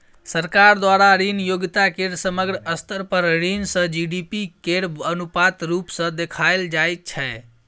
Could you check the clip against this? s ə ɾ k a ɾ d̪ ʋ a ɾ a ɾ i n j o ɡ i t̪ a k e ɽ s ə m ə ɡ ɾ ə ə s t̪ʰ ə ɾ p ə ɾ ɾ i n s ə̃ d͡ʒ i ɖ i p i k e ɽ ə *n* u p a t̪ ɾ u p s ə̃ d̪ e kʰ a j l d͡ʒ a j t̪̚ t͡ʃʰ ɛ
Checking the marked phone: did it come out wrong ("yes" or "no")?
no